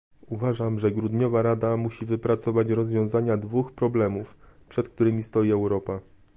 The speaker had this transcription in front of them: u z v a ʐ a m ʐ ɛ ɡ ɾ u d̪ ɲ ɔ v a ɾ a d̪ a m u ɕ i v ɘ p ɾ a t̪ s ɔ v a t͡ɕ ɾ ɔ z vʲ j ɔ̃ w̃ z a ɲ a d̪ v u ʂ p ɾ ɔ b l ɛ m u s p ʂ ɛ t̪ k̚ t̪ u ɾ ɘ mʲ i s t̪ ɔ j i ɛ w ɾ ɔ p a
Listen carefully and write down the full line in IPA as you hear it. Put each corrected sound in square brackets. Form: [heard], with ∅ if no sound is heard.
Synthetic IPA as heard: u [∅] v a ʐ a m ʐ ɛ ɡ ɾ u d̪ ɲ ɔ v a ɾ a d̪ a m u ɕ i v ɘ p ɾ a t̪ s ɔ v a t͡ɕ ɾ ɔ z vʲ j ɔ̃ w̃ z a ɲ a d̪ v u [x] p ɾ ɔ b l ɛ m u [f] p ʂ ɛ t̪ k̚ t̪ u ɾ ɘ mʲ i s t̪ ɔ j i ɛ w ɾ ɔ p a